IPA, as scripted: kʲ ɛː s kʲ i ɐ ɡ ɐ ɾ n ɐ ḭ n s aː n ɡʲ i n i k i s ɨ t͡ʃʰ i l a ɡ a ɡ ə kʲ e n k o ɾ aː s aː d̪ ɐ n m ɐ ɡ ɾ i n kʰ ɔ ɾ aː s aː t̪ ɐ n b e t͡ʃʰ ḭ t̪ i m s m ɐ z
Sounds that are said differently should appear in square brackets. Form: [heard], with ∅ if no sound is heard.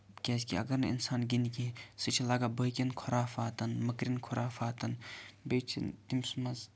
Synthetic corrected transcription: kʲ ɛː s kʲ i ɐ ɡ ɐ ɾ n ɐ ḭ n s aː n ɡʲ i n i k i s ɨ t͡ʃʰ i l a ɡ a [b] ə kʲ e n [kʰ] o ɾ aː [f] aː [t̪] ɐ n m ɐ [k] ɾ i n kʰ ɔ ɾ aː [f] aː t̪ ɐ n b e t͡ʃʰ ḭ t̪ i m s m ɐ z